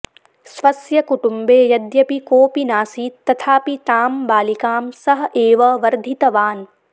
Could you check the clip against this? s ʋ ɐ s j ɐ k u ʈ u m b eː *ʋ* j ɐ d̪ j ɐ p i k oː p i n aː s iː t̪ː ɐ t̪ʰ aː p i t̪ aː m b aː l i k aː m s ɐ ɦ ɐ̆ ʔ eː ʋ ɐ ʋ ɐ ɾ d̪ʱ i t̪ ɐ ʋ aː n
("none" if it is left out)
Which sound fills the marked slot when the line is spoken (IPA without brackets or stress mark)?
none